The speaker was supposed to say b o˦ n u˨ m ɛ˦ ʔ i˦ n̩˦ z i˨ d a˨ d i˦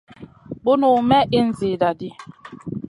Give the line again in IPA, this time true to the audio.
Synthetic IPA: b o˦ n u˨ m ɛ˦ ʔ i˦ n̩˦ z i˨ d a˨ d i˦